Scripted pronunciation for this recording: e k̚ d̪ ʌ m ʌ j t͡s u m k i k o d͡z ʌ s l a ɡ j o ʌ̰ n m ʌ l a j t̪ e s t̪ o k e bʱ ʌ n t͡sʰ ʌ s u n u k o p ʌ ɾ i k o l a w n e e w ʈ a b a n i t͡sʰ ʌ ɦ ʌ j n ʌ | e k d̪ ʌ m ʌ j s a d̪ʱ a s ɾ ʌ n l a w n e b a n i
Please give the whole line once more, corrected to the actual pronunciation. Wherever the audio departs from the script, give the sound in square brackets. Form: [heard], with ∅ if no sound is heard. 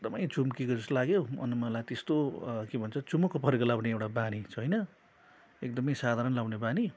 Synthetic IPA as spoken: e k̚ d̪ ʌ m ʌ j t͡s u m k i k o d͡z ʌ s l a ɡ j o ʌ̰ n m ʌ l a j t̪ e s t̪ o k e bʱ ʌ n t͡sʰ ʌ [t͡s] u [m] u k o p ʌ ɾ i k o l a w n e e w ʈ a b a n i t͡sʰ ʌ ɦ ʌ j n ʌ | e k d̪ ʌ m ʌ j s a d̪ʱ a [∅] ɾ ʌ n l a w n e b a n i